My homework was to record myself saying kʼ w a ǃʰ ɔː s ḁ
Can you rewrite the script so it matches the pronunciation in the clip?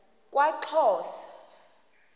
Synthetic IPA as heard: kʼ w a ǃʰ ɔː s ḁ